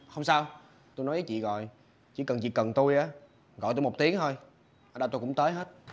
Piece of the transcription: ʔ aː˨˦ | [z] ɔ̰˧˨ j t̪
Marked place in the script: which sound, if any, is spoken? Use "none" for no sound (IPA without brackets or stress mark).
ɣ